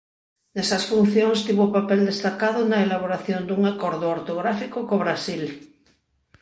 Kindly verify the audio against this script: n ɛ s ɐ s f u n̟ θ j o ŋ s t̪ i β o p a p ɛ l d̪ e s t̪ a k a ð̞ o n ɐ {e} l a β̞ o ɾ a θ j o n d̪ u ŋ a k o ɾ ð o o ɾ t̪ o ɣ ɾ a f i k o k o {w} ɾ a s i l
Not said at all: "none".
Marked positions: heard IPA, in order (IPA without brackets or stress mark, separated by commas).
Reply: e, β